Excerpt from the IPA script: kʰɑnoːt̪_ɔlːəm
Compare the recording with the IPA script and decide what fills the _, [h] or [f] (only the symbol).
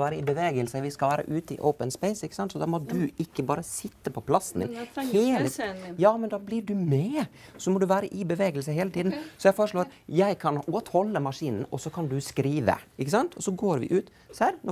h